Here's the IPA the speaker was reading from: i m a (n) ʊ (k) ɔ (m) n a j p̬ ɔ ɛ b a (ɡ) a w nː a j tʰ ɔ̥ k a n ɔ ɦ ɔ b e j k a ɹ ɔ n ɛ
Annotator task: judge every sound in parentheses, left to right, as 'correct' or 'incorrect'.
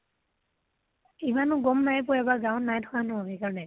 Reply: correct, incorrect: ɡ, correct, correct

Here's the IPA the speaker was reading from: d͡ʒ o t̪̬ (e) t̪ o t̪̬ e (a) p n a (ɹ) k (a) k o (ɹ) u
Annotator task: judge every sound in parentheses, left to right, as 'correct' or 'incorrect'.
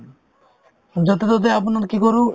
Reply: correct, correct, incorrect: ɾ, incorrect: i, incorrect: ɾ

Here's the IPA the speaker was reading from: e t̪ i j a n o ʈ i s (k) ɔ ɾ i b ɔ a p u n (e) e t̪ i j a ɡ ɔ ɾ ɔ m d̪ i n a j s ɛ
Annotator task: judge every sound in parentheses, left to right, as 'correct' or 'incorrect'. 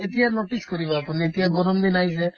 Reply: correct, incorrect: i

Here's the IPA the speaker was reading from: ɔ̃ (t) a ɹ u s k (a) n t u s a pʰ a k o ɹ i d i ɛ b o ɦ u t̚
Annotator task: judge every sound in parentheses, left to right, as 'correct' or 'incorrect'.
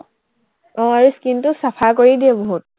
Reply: incorrect: none, incorrect: i

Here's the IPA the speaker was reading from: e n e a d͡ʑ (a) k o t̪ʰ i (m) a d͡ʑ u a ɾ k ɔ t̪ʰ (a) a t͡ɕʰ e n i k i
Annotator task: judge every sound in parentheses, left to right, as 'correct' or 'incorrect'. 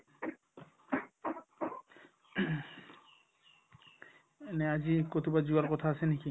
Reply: incorrect: i, incorrect: b, correct

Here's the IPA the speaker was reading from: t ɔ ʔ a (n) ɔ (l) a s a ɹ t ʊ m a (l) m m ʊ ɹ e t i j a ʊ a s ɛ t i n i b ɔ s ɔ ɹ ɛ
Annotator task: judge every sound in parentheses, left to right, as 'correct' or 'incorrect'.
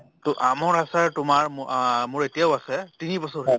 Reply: incorrect: m, incorrect: ɹ, incorrect: ɹ

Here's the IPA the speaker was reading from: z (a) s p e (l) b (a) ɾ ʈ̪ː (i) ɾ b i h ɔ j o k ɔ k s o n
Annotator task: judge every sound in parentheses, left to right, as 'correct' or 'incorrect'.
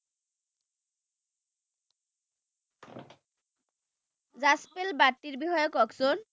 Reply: correct, correct, correct, correct

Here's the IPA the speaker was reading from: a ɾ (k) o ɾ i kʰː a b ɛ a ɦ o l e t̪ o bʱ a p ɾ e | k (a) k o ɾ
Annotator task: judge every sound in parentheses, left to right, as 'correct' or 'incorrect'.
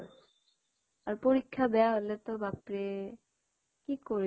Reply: incorrect: p, incorrect: i

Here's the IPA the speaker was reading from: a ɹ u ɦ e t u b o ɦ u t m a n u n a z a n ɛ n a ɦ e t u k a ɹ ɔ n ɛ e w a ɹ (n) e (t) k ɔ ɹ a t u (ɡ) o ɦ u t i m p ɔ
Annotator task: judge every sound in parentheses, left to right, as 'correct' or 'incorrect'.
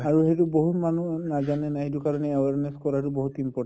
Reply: correct, incorrect: s, incorrect: b

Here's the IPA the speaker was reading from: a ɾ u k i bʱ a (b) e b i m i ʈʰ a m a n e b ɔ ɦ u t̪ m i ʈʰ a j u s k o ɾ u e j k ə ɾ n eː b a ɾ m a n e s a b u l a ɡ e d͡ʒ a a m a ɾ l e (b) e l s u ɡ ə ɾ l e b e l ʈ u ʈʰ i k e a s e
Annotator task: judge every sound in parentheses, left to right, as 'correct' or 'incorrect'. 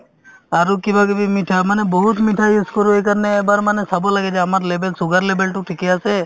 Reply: incorrect: ɡ, correct

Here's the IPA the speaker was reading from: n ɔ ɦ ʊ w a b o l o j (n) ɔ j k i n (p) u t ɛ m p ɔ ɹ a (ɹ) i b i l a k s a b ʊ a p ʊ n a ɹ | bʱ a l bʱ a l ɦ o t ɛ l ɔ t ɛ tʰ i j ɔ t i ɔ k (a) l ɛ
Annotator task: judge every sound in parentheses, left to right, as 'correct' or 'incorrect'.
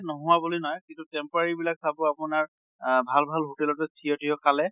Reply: correct, incorrect: t, correct, correct

